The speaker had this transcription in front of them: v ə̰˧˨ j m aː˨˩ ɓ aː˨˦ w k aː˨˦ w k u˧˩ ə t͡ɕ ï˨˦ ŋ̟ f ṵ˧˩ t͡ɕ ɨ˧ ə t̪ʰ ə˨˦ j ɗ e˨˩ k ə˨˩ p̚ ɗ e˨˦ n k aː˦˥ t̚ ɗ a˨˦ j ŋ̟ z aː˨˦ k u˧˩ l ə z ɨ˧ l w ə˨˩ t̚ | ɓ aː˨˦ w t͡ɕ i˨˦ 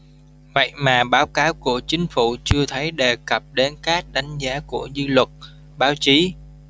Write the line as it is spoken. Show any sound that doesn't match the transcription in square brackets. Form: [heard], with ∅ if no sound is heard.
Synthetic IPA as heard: v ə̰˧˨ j m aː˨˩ ɓ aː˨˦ w k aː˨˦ w k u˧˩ ə t͡ɕ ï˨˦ ŋ̟ f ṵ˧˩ t͡ɕ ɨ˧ ə t̪ʰ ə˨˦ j ɗ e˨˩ k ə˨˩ p̚ ɗ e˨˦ n k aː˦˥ [k̚] ɗ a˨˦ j ŋ̟ z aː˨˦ k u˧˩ [∅] ə z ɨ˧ l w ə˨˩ t̚ | ɓ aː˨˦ w t͡ɕ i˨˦

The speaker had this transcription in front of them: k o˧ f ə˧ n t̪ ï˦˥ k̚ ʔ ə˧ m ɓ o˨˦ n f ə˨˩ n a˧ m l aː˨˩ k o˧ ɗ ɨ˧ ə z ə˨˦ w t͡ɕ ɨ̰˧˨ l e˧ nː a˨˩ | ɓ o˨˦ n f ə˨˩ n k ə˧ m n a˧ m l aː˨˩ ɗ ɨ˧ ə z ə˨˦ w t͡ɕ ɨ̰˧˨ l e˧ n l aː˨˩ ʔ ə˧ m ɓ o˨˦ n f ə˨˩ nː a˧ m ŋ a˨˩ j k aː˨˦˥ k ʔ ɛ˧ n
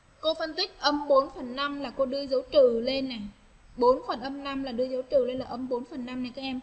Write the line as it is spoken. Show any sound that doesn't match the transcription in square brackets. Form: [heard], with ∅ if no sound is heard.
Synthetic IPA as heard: k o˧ f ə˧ n t̪ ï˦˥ k̚ ʔ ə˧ m ɓ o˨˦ n f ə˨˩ [nː] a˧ m l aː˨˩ k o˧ ɗ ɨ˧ ə z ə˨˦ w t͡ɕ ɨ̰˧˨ l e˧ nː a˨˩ | ɓ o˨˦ n f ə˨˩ n [ʔ] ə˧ m n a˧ m l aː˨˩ ɗ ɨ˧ ə z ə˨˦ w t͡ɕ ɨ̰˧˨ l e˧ n l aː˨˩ ʔ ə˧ m ɓ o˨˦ n f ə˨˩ nː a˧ m [n] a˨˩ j k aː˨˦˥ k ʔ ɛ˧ [m]

